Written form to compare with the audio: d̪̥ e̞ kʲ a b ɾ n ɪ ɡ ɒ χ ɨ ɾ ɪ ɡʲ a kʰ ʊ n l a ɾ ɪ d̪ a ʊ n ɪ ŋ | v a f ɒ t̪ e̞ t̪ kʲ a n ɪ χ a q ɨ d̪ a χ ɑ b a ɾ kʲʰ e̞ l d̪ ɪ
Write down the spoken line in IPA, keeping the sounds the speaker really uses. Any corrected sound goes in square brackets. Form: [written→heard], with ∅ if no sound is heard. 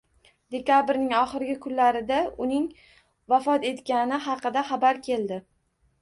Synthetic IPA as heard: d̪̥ e̞ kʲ a b ɾ n ɪ [ɡ→ŋ] ɒ χ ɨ ɾ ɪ ɡʲ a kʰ ʊ n l a ɾ ɪ d̪ a ʊ n ɪ ŋ | v a f ɒ t̪ e̞ t̪ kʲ a n ɪ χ [a→ɑ] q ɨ d̪ a χ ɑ b a ɾ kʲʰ e̞ l d̪ ɪ